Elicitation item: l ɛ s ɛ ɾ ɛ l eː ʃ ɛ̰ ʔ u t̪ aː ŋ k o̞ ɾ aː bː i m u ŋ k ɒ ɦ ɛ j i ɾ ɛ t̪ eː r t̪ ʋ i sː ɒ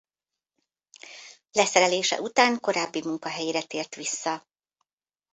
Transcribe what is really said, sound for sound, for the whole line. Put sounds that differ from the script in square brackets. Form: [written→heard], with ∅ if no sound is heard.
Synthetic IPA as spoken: l ɛ s ɛ ɾ ɛ l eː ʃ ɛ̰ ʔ u t̪ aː ŋ k o̞ ɾ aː bː i m u ŋ k ɒ ɦ ɛ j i ɾ ɛ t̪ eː r t̪ ʋ i sː ɒ